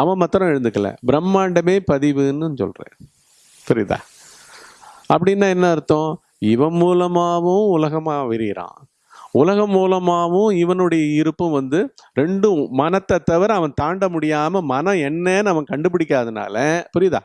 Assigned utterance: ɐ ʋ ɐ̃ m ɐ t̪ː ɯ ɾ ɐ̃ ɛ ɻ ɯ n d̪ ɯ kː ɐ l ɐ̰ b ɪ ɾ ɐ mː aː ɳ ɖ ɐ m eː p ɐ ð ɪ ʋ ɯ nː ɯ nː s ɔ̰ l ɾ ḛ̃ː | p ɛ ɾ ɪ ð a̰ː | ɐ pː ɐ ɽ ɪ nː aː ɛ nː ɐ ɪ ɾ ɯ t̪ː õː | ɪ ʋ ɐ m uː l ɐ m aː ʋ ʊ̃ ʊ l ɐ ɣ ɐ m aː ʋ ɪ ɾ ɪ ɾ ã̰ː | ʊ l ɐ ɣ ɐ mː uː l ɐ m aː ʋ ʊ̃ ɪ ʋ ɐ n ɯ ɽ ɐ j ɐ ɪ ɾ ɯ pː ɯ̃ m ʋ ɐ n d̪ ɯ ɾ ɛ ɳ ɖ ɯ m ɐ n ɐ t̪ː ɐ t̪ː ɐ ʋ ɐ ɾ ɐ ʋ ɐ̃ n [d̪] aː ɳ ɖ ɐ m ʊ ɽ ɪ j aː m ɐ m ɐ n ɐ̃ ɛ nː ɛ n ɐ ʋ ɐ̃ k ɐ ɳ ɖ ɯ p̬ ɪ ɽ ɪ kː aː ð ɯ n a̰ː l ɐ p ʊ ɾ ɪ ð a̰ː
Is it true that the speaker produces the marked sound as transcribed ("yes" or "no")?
no